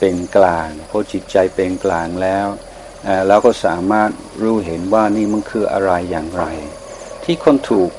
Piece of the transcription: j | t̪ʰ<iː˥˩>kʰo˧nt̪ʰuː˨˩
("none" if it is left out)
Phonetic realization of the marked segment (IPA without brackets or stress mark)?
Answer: iː˥˩